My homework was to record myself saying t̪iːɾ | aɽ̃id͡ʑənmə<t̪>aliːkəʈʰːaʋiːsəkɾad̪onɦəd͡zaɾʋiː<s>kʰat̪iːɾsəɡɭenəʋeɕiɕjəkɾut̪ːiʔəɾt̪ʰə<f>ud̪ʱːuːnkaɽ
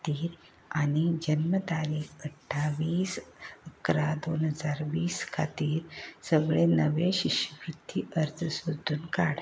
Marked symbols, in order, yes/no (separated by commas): yes, yes, no